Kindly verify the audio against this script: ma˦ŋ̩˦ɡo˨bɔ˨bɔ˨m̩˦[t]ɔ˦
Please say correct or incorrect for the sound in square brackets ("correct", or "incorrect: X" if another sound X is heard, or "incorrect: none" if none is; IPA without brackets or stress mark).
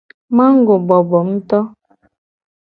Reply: correct